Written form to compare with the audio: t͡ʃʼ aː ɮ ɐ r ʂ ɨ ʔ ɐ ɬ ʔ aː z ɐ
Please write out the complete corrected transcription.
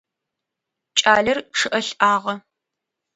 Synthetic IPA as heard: t͡ʃʼ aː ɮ ɐ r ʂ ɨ ʔ ɐ ɬ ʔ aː ʁ ɐ